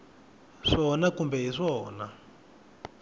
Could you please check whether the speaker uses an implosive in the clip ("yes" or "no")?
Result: no